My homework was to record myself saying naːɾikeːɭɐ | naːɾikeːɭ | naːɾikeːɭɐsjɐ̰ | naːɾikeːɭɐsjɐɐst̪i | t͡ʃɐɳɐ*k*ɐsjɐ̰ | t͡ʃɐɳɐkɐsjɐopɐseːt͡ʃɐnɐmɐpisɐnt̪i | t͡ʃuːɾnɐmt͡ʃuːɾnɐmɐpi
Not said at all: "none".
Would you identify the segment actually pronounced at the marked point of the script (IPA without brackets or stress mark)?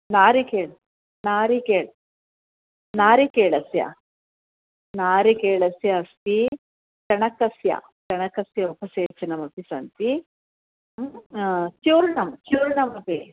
k